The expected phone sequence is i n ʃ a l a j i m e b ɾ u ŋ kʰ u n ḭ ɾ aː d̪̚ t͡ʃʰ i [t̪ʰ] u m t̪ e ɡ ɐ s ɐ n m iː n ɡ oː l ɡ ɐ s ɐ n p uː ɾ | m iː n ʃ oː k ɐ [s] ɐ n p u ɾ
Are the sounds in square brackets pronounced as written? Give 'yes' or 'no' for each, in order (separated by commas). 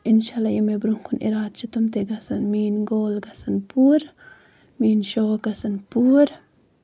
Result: no, yes